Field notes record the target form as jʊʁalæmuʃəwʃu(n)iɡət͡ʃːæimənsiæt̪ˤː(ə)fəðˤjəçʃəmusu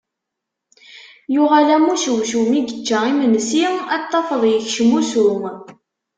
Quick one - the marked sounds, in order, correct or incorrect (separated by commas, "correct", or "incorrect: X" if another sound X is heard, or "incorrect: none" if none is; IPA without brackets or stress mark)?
incorrect: m, incorrect: ɑ